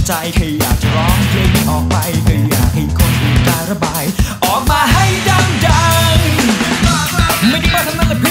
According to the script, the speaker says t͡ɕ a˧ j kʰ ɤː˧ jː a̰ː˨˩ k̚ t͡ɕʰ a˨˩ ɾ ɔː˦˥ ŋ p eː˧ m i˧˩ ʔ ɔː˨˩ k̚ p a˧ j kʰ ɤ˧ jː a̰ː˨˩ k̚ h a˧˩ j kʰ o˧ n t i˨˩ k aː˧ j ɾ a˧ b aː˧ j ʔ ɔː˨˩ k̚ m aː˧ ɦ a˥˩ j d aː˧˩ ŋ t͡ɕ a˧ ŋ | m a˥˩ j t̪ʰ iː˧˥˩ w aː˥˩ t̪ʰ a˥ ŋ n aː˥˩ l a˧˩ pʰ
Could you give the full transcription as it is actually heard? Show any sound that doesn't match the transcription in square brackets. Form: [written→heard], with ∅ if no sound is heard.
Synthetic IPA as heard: t͡ɕ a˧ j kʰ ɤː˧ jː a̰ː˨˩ k̚ [t͡ɕʰ→t͡ɕ] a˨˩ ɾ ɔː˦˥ ŋ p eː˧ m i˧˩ ʔ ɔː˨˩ k̚ p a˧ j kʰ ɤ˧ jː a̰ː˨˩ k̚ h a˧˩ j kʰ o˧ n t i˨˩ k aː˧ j ɾ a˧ b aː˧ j ʔ ɔː˨˩ k̚ m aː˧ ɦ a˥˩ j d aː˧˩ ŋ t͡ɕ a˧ ŋ | m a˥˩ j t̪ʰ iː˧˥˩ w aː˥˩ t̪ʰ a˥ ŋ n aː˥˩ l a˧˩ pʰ